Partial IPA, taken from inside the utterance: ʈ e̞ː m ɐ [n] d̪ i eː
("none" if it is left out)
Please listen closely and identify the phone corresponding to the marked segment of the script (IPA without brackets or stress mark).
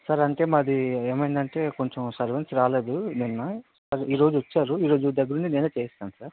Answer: none